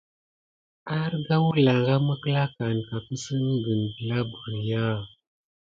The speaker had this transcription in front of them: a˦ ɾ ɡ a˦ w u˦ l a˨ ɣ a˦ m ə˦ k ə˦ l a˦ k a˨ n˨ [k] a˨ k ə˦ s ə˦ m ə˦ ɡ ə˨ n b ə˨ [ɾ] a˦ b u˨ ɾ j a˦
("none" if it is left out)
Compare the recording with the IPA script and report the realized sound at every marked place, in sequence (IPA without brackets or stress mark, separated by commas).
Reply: k, l